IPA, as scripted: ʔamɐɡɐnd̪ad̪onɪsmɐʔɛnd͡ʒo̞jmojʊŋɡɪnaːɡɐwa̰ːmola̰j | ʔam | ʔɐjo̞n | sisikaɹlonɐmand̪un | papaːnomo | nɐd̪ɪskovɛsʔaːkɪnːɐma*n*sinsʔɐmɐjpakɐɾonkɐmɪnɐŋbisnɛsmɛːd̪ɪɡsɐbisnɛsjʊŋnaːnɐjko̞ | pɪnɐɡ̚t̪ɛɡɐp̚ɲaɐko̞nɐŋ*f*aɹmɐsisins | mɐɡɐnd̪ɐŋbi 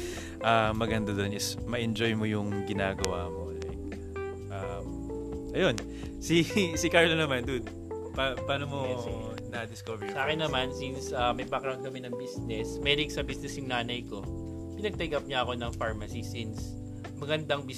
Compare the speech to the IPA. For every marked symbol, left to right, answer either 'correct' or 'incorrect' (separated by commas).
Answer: correct, correct